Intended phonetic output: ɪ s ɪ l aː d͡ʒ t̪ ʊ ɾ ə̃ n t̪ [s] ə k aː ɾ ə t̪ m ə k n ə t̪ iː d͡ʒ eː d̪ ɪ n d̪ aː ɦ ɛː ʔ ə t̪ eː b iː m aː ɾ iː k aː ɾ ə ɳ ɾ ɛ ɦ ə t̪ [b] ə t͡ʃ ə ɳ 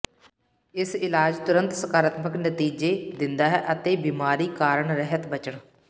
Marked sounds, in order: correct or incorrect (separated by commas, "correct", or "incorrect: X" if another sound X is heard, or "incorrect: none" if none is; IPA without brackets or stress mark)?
correct, correct